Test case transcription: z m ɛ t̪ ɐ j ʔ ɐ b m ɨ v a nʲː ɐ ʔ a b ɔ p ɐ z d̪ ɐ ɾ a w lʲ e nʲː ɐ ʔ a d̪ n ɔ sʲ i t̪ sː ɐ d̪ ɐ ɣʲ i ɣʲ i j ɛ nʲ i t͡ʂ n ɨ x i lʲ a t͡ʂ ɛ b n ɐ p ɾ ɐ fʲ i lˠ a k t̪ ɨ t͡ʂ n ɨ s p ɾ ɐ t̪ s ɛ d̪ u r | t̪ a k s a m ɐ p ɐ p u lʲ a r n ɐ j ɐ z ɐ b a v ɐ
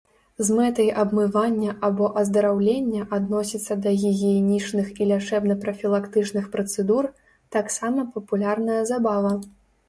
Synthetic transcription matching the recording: z m ɛ t̪ ɐ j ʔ ɐ b m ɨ v a nʲː ɐ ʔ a b ɔ ʔ ɐ z d̪ ɐ ɾ a w lʲ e nʲː ɐ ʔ a d̪ n ɔ sʲ i t̪ sː ɐ d̪ ɐ ɣʲ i ɣʲ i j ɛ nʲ i t͡ʂ n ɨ x i lʲ a t͡ʂ ɛ b n ɐ p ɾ ɐ fʲ i lˠ a k t̪ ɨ t͡ʂ n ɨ x p ɾ ɐ t̪ s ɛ d̪ u r | t̪ a k s a m ɐ p ɐ p u lʲ a r n ɐ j ɐ z a b a v ɐ

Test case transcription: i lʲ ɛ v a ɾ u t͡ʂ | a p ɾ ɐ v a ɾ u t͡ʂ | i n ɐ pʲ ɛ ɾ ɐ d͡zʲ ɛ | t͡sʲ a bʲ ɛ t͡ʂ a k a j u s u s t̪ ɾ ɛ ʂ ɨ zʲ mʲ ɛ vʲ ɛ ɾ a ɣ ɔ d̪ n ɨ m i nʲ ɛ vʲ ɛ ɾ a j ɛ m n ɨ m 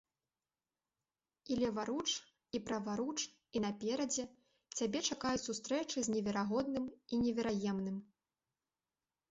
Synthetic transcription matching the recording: i lʲ ɛ v a ɾ u t͡ʂ | i p ɾ ɐ v a ɾ u t͡ʂ | i n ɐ pʲ ɛ ɾ ɐ d͡zʲ ɛ | t͡sʲ a bʲ ɛ t͡ʂ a k a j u s u s t̪ ɾ ɛ t͡ʂ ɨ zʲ nʲ ɛ vʲ ɛ ɾ a ɣ ɔ d̪ n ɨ m i nʲ ɛ vʲ ɛ ɾ a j ɛ m n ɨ m

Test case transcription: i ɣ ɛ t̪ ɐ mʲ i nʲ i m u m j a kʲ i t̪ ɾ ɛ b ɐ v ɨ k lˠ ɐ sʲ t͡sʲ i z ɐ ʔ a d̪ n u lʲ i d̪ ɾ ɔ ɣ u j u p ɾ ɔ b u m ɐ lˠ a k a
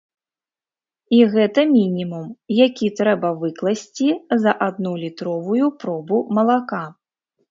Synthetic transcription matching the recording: i ɣ ɛ t̪ ɐ mʲ i nʲ i m u m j a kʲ i t̪ ɾ ɛ b ɐ v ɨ k lˠ ɐ sʲ t͡sʲ i z ɐ ʔ a d̪ n u lʲ i t̪ ɾ ɔ v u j u p ɾ ɔ b u m ɐ lˠ a k a

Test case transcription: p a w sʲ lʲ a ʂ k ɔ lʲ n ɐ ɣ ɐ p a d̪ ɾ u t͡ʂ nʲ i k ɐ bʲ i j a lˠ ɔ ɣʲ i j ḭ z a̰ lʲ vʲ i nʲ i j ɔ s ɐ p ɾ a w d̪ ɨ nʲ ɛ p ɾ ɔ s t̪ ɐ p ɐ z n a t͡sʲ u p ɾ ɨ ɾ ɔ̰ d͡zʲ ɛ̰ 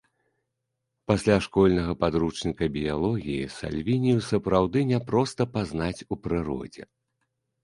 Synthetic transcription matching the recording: p a sʲ lʲ a ʂ k ɔ lʲ n ɐ ɣ ɐ p a d̪ ɾ u t͡ʂ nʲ i k ɐ bʲ i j a lˠ ɔ ɣʲ i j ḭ s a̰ lʲ vʲ i nʲ i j u s ɐ p ɾ a w d̪ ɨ nʲ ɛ p ɾ ɔ s t̪ ɐ p a z n a t͡sʲ u p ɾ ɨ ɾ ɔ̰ d͡zʲ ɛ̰

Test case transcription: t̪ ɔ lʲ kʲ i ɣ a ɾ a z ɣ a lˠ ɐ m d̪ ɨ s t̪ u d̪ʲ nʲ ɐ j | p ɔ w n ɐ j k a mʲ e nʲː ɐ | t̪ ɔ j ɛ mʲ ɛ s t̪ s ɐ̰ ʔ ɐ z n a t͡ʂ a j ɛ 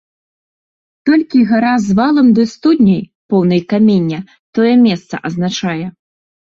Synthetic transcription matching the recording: t̪ ɔ lʲ kʲ i ɣ a ɾ a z v a lˠ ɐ m d̪ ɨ s t̪ u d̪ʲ nʲ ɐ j | p ɔ w n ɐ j k a mʲ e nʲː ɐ | t̪ ɔ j ɛ mʲ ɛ s t̪ s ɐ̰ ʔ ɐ z n a t͡ʂ a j ɛ

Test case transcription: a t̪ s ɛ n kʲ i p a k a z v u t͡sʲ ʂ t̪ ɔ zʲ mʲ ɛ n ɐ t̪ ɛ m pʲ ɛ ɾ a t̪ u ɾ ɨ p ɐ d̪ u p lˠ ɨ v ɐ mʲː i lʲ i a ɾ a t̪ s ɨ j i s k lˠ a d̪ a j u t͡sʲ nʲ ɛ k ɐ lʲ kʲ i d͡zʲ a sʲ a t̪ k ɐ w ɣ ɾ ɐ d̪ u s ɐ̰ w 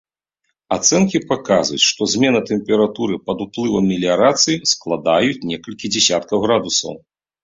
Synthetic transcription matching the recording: a t̪ s ɛ n kʲ i p a k a z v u t͡sʲ ʂ t̪ ɔ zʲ mʲ ɛ n ɐ t̪ ɛ m pʲ ɛ ɾ a t̪ u ɾ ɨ p ɐ d̪ u p lˠ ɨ v ɐ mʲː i lʲ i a ɾ a t̪ s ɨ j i s k lˠ a d̪ a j u t͡sʲ nʲ ɛ k ɐ lʲ kʲ i d͡zʲ ɛ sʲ a t̪ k ɐ w ɣ ɾ a d̪ u s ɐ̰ w

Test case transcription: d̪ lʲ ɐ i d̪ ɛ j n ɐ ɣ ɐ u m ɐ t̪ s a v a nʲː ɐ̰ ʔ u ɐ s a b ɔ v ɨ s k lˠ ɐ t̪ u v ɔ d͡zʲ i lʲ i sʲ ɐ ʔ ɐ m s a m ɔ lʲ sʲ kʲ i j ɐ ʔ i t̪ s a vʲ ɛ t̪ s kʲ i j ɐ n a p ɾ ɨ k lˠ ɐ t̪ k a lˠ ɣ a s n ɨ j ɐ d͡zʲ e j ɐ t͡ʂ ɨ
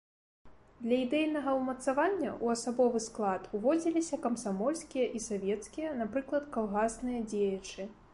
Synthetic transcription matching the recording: d̪ lʲ ɐ i d̪ ɛ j n ɐ ɣ ɐ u m ɐ t̪ s a v a nʲː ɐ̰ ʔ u ɐ s a b ɔ v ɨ s k lˠ a t̪ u v ɔ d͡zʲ i lʲ i sʲ ɐ k ɐ m s a m ɔ lʲ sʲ kʲ i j ɐ ʔ i s a vʲ ɛ t̪ s kʲ i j ɐ n a p ɾ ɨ k lˠ ɐ t̪ k a lˠ ɣ a s n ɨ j ɐ d͡zʲ e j ɐ t͡ʂ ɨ

